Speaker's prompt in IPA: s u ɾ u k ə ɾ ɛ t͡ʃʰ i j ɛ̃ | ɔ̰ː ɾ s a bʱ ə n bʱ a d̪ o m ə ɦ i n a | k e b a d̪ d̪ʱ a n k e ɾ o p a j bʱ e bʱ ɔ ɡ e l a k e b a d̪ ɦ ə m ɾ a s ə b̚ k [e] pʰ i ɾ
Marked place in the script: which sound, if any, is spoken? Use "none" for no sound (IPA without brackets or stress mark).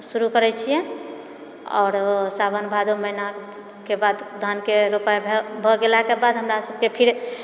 e